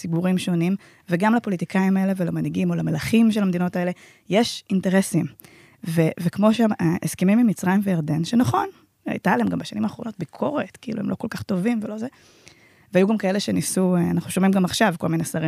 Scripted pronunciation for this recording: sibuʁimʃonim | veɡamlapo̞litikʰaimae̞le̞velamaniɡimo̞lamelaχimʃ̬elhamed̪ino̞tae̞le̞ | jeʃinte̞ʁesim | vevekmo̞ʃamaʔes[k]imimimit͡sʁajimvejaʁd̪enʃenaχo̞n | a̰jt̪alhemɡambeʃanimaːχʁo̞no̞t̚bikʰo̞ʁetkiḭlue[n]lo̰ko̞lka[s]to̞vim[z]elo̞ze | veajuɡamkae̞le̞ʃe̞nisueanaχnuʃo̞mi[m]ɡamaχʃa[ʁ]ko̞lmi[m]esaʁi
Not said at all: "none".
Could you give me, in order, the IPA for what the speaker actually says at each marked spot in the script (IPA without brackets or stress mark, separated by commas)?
k, m, χ, v, m, v, n